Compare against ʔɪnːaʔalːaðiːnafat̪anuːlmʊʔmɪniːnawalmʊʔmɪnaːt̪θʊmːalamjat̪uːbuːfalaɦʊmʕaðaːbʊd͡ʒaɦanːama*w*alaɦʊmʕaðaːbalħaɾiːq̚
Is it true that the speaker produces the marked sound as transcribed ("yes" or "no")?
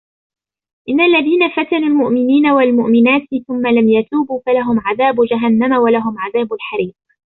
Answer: yes